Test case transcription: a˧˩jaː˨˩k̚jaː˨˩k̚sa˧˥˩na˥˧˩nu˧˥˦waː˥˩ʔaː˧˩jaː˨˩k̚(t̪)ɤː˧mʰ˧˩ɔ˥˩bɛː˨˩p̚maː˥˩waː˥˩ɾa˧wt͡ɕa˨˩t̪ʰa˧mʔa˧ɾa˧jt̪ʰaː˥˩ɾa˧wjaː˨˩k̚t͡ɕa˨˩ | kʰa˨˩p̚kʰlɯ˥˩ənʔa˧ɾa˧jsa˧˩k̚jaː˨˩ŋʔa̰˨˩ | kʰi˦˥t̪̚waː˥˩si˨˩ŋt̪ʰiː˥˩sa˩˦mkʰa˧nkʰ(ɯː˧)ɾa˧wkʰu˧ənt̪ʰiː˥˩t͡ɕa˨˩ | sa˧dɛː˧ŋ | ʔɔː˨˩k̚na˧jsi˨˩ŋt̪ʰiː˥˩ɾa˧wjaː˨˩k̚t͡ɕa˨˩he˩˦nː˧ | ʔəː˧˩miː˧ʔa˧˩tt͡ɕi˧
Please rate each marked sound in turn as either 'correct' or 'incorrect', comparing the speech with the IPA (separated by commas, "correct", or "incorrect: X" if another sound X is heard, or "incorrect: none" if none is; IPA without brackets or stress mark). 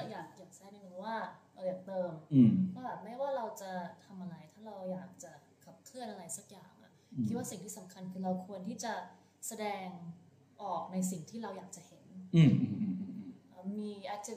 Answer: correct, correct